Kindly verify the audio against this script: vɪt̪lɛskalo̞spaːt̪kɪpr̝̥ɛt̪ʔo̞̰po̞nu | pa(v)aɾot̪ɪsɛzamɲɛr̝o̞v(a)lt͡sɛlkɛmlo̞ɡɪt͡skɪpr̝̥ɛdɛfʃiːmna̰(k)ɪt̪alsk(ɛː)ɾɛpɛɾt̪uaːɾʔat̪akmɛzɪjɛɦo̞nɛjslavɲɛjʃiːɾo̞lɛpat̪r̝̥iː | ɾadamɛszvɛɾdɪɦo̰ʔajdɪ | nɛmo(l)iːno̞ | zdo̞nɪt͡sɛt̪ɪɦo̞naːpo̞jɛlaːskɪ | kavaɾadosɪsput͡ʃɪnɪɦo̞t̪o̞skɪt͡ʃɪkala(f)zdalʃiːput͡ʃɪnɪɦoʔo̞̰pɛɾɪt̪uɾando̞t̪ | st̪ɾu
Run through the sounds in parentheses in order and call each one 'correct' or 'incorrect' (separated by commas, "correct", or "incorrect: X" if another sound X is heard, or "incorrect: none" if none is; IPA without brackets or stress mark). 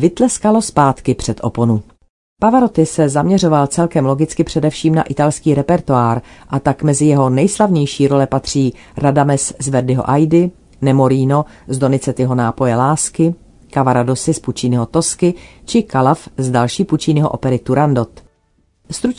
correct, correct, incorrect: ʔ, incorrect: iː, incorrect: ɾ, correct